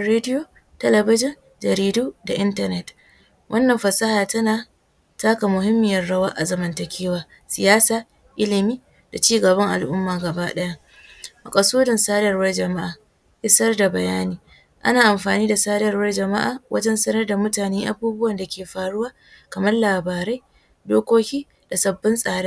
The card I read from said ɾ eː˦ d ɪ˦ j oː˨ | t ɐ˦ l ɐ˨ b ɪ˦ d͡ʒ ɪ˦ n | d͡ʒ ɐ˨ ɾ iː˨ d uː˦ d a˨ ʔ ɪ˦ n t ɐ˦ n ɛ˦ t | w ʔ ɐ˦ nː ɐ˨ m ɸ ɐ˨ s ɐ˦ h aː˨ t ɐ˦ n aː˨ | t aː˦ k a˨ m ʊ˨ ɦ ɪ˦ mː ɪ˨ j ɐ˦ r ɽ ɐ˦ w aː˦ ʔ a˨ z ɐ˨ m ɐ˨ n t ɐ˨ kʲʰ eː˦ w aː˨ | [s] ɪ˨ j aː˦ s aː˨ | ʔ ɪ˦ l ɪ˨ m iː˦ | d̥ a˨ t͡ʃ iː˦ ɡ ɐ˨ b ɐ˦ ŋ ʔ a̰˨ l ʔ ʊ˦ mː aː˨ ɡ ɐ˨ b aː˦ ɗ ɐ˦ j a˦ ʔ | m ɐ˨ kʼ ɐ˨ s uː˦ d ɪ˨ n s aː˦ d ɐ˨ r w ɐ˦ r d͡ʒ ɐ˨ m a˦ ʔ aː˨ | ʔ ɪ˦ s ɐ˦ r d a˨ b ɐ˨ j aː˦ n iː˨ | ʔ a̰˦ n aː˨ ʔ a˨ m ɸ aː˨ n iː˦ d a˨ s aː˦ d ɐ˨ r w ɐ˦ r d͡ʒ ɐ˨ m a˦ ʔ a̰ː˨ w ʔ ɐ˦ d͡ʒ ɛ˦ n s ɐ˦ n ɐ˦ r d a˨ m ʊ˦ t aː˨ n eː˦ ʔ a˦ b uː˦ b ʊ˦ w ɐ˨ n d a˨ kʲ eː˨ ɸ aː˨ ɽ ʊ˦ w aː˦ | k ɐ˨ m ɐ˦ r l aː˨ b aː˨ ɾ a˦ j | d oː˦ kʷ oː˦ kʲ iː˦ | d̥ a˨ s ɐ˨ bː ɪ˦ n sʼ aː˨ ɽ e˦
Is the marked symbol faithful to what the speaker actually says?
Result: yes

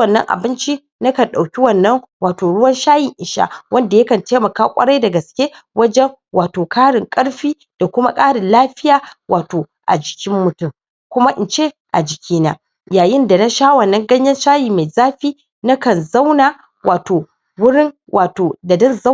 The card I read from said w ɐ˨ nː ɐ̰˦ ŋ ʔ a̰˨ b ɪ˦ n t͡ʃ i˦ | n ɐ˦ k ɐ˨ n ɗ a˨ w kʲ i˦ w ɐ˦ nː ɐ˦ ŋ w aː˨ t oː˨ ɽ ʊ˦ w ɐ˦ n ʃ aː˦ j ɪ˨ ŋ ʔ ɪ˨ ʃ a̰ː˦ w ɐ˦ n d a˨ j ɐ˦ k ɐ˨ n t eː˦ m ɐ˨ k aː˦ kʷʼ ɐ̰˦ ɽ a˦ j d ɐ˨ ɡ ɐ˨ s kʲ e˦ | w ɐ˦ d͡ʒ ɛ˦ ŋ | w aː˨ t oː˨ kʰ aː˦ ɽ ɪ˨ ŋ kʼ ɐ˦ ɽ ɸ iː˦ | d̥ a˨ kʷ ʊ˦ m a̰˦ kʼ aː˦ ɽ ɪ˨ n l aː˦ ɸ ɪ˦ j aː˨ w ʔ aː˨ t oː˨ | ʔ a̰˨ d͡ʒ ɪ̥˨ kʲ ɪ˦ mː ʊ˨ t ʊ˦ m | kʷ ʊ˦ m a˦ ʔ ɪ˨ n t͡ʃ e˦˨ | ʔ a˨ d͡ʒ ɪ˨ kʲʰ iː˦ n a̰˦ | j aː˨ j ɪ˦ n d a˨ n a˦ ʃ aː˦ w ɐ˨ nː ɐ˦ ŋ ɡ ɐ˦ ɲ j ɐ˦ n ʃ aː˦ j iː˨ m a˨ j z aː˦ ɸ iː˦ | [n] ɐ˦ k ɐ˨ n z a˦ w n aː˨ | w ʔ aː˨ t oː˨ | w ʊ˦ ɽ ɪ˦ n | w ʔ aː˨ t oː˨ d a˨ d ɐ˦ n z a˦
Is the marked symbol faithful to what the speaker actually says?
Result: yes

